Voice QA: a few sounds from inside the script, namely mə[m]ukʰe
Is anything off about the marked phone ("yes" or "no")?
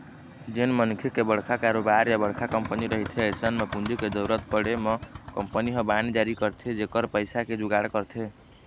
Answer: yes